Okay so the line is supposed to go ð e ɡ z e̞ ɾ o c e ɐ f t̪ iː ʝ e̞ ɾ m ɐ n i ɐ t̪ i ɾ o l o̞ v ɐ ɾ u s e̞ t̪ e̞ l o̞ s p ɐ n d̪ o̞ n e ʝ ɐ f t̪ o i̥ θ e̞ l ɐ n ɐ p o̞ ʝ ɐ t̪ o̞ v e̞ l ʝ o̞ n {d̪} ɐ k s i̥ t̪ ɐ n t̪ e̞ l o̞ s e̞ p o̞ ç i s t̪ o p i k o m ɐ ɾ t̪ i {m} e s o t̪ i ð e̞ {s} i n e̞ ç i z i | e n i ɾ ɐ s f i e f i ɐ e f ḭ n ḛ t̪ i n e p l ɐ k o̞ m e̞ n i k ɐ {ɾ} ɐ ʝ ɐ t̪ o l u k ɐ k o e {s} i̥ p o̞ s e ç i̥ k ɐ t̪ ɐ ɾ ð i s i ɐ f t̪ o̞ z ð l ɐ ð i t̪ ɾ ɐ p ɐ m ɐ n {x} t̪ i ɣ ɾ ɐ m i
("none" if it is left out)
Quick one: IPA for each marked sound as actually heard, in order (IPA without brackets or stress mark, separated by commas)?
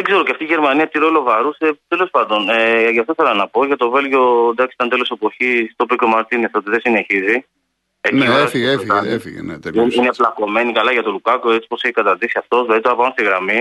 d̪, n, s, l, t͡s, s